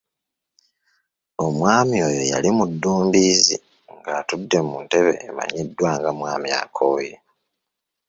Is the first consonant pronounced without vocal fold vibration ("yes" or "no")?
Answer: no